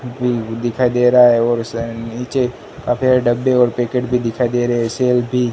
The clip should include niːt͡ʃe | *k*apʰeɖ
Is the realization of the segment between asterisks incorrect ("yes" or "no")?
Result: no